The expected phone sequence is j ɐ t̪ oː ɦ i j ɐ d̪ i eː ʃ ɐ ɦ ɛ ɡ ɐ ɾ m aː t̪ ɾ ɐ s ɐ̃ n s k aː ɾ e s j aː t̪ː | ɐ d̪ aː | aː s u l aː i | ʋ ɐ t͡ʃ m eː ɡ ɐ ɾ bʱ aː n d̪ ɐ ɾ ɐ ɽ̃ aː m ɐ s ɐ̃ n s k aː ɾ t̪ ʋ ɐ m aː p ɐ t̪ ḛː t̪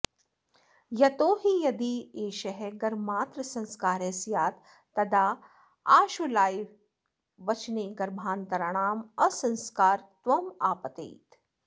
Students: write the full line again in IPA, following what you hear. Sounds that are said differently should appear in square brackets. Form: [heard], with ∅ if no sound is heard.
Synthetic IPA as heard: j ɐ t̪ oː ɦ i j ɐ d̪ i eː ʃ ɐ ɦ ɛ ɡ ɐ ɾ m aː t̪ ɾ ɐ s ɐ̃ n s k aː ɾ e s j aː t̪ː | ɐ d̪ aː | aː [ʃ] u l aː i | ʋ ɐ t͡ʃ [n] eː ɡ ɐ ɾ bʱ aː n [t̪] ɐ ɾ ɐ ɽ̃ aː m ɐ s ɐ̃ n s k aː ɾ t̪ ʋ ɐ m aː p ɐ t̪ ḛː t̪